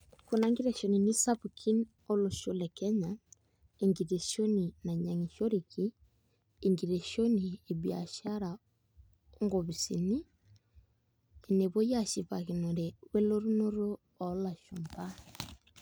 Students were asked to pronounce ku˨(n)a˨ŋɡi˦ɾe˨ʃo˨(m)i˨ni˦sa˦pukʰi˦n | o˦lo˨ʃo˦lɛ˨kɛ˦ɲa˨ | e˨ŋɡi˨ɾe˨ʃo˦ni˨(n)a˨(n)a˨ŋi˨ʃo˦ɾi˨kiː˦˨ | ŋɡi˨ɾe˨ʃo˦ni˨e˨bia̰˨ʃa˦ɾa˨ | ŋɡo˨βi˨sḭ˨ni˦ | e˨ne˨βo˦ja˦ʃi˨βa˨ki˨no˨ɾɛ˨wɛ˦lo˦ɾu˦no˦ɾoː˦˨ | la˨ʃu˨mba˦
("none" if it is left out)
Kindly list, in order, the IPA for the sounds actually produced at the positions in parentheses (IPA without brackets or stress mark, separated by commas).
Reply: n, n, n, ɲ